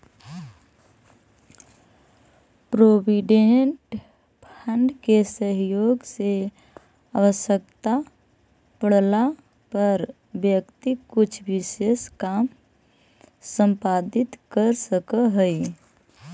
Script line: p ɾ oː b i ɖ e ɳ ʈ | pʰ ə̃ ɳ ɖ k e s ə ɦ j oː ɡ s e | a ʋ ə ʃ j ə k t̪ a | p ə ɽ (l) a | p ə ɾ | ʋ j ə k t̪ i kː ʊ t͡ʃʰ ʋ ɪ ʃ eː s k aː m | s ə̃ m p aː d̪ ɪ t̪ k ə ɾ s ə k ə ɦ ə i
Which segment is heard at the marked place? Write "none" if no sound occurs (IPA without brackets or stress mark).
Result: l